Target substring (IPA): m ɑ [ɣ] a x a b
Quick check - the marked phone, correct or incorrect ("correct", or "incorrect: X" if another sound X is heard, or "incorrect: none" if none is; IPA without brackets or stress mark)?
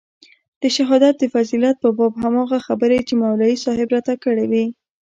correct